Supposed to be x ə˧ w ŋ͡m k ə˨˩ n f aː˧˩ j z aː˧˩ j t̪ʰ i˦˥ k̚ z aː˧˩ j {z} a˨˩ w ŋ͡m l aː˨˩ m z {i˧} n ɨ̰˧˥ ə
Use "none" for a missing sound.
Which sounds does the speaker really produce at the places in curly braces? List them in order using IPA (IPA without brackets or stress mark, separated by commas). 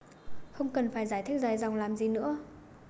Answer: z, i˨˩